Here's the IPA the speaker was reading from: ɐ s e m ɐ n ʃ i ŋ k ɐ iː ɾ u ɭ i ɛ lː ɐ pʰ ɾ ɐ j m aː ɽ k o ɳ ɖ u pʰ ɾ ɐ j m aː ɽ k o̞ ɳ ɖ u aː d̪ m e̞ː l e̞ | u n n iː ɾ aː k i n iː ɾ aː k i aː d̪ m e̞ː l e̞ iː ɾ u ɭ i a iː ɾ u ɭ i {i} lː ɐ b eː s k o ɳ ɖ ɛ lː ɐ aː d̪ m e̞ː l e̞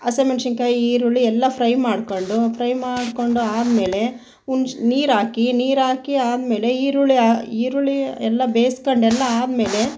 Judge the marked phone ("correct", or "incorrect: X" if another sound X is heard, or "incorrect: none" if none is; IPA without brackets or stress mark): incorrect: ɛ